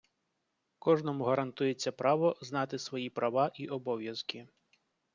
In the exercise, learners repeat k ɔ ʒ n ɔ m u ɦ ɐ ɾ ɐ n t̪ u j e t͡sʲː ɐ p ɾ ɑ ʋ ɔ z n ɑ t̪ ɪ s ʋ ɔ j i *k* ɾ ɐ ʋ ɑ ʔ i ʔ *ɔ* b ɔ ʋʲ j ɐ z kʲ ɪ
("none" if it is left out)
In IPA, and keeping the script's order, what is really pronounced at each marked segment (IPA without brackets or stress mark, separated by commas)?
p, ɔ